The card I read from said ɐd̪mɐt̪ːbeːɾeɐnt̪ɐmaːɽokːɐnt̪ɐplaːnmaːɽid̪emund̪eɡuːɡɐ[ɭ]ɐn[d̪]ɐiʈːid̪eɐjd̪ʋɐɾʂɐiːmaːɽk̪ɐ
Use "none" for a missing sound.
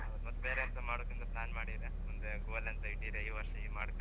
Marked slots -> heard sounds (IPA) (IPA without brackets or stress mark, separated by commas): l, t̪